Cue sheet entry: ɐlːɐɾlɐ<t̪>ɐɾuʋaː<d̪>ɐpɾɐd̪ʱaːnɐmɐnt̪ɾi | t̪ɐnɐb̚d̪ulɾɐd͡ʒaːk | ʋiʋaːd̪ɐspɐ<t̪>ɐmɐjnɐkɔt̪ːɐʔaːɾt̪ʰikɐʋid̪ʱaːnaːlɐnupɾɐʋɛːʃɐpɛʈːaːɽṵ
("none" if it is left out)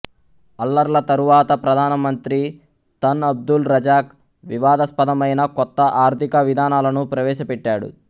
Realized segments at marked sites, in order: t̪, t̪, d̪

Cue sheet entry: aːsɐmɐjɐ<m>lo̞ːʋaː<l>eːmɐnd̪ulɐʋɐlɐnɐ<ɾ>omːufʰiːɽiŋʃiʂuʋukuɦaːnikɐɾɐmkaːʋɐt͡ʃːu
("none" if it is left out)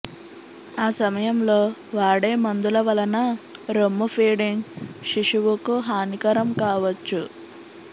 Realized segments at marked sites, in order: m, ɽ, ɾ

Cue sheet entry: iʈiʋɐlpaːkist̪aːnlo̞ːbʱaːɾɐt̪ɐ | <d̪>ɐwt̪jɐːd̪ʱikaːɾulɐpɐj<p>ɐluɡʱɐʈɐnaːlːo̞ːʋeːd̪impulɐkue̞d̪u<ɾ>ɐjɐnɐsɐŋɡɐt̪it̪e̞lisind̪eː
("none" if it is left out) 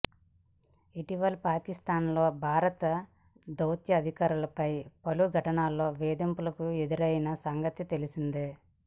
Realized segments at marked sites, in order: d̪, p, ɾ

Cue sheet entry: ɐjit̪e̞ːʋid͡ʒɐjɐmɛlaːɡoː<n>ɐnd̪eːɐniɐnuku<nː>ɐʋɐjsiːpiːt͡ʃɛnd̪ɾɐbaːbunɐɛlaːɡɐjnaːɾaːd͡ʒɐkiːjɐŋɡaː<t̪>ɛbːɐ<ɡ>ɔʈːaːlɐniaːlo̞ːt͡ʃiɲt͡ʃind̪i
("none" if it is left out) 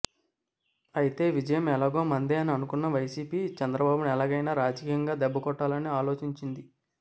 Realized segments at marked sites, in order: m, nː, d̪, k

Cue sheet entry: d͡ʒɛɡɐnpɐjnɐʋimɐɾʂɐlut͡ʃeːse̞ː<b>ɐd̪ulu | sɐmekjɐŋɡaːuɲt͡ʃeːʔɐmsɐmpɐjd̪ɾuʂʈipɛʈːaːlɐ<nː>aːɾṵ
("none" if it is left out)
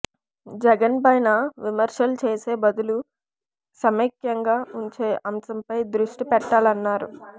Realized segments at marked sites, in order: b, nː

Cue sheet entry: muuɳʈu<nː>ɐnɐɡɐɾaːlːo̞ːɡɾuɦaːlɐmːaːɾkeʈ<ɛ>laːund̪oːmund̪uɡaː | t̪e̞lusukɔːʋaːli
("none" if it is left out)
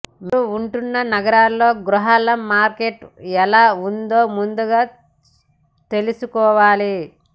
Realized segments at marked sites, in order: nː, ɛ

